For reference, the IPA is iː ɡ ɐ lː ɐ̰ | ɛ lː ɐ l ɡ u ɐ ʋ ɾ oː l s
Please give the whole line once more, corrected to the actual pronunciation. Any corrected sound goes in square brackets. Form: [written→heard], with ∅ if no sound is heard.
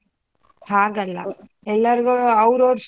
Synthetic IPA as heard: [iː→aː] ɡ ɐ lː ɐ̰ | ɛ lː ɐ [l→ɾ] ɡ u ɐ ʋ ɾ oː [l→ɾ] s

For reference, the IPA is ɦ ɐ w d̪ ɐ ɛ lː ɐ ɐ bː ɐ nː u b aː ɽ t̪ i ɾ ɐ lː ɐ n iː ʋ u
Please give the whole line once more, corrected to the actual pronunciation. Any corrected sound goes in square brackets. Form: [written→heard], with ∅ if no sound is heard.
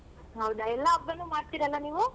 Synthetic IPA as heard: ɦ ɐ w d̪ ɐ ɛ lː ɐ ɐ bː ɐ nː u [b→m] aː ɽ t̪ i ɾ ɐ lː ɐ n iː ʋ u

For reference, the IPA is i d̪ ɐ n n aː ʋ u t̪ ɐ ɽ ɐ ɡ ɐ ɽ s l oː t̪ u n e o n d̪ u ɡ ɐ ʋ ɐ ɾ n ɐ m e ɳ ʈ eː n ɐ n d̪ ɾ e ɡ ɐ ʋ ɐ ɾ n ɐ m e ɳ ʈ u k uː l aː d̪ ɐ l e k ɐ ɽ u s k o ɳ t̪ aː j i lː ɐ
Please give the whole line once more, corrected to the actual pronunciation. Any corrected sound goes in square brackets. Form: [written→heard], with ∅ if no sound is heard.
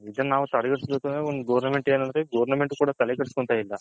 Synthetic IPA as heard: i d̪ ɐ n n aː ʋ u t̪ ɐ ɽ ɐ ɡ ɐ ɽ s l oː t̪ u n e o n d̪ u ɡ ɐ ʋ ɐ ɾ n ɐ m e ɳ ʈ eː n ɐ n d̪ ɾ e ɡ ɐ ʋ ɐ ɾ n ɐ m e ɳ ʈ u k uː [l→ɽ] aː [d̪→t̪] ɐ l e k ɐ ɽ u s k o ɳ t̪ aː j i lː ɐ

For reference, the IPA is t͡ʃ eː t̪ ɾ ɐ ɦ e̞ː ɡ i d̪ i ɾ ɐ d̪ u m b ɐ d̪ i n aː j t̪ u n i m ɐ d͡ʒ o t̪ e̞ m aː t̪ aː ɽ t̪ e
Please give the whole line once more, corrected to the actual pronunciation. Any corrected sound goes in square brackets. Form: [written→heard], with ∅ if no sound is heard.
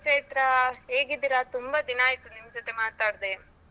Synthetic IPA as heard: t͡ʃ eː t̪ ɾ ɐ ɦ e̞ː ɡ i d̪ i ɾ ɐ [d̪→t̪] u m b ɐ d̪ i n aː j t̪ u n i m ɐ d͡ʒ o t̪ e̞ m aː t̪ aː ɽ [t̪→d̪] e

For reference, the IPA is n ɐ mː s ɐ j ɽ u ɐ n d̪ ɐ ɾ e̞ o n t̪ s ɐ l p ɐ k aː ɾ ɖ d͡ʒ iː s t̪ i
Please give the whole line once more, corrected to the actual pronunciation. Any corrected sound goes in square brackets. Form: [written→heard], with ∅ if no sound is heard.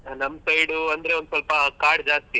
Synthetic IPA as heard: n ɐ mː s ɐ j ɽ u ɐ n d̪ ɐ ɾ e̞ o n [t̪→d̪] s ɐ l p ɐ k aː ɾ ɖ d͡ʒ [iː→aː] s t̪ i

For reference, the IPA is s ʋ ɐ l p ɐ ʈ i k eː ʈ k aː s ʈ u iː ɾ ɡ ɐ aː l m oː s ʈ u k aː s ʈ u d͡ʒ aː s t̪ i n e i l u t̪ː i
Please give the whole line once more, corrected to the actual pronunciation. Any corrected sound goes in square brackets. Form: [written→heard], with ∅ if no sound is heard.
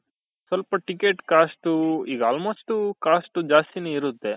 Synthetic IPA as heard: s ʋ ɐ l p ɐ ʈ i k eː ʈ k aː s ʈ u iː [ɾ→∅] ɡ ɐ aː l m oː s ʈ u k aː s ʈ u d͡ʒ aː s t̪ i n e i [l→ɾ] u t̪ː [i→e]

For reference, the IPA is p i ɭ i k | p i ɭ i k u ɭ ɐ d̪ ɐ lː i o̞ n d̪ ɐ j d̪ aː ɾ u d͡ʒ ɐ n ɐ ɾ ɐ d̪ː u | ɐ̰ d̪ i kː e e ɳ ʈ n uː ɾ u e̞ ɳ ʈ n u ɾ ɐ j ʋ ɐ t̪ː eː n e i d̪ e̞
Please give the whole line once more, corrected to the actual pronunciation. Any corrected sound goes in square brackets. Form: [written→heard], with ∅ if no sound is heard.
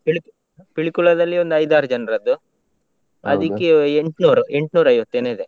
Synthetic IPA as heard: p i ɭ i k | p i ɭ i k u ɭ ɐ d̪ ɐ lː i o̞ n d̪ ɐ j d̪ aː ɾ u d͡ʒ ɐ n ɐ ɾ ɐ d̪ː u | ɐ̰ d̪ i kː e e ɳ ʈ n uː ɾ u e̞ ɳ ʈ n [u→uː] ɾ ɐ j ʋ ɐ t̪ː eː n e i d̪ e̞

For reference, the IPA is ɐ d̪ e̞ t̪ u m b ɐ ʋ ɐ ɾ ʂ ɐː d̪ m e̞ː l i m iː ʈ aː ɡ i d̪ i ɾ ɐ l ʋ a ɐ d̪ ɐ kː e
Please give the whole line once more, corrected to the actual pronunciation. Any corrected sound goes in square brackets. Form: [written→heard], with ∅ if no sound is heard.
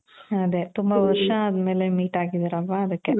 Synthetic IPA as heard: ɐ d̪ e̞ t̪ u m b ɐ ʋ ɐ ɾ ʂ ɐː d̪ m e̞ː l [i→e] m iː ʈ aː ɡ i d̪ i ɾ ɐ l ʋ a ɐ d̪ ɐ kː e

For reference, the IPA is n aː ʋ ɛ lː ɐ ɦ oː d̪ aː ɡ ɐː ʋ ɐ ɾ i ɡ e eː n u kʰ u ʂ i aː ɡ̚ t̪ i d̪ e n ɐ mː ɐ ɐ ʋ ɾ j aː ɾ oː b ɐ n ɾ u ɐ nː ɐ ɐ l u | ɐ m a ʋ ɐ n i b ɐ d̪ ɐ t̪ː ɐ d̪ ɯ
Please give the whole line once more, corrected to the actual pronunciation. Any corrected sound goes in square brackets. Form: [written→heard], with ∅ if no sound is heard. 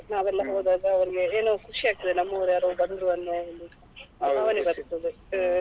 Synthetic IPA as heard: n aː ʋ ɛ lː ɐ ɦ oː d̪ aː ɡ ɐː ʋ ɐ ɾ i ɡ e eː n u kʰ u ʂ i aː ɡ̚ t̪ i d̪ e n ɐ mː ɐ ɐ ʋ ɾ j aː ɾ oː b ɐ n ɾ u ɐ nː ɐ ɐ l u | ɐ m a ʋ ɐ n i b ɐ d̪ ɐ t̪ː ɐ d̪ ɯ

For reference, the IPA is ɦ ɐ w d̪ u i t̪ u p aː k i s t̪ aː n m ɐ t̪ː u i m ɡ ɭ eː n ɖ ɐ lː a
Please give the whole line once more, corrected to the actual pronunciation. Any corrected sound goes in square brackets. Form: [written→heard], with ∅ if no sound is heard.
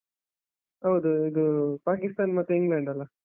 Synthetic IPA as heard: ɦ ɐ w d̪ u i [t̪→d̪] u p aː k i s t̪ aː n m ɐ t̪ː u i [m→ŋ] ɡ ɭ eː [n→ɳ] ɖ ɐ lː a

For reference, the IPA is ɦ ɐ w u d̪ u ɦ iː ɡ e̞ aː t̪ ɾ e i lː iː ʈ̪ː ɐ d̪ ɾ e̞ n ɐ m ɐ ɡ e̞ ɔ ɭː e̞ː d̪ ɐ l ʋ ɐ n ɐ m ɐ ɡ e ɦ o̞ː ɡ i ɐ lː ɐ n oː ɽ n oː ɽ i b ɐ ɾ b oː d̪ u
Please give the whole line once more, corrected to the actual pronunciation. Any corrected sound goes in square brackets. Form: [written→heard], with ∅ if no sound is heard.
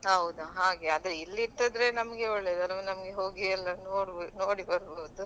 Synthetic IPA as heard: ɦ ɐ w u d̪ u ɦ [iː→aː] ɡ e̞ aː [t̪→d̪] ɾ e i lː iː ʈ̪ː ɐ d̪ ɾ e̞ n ɐ m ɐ ɡ e̞ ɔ ɭː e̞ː d̪ ɐ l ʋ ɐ n ɐ m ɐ ɡ e ɦ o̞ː ɡ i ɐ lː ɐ n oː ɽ n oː ɽ i b ɐ ɾ b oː d̪ u

